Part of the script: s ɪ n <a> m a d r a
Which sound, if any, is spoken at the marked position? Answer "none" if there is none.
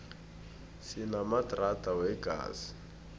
a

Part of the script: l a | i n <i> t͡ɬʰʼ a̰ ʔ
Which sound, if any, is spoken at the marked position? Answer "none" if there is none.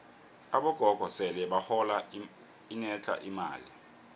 ɛ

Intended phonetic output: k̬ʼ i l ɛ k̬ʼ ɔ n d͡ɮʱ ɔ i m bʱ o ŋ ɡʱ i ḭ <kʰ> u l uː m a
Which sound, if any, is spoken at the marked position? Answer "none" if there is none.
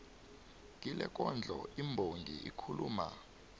kʰ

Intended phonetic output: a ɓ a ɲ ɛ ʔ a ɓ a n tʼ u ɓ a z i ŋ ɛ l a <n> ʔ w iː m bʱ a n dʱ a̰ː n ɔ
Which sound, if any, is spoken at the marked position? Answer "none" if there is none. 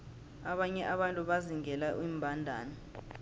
none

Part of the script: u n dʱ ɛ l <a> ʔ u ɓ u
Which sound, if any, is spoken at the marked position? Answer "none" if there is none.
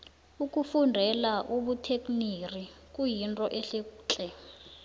a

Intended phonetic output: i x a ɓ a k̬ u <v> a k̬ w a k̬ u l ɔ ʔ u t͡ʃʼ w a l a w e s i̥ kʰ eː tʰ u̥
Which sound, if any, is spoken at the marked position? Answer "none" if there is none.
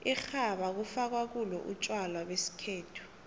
f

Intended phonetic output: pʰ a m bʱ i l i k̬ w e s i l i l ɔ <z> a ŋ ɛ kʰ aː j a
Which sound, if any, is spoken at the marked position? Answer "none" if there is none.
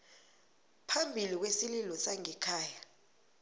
s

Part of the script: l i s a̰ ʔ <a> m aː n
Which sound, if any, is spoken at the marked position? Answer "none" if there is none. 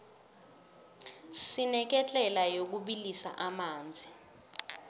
a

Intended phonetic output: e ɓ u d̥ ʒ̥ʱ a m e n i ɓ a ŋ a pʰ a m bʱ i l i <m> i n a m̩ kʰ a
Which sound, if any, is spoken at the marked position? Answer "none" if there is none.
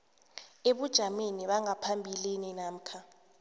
n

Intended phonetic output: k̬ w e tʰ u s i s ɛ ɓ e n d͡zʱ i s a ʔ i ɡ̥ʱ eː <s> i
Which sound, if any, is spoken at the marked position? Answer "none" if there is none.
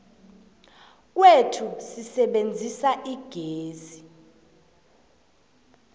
z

